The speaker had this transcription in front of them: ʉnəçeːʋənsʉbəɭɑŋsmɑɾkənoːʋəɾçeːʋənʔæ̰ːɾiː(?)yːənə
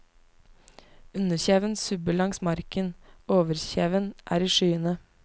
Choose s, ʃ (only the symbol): ʃ